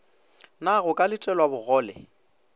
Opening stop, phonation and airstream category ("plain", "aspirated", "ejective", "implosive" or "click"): ejective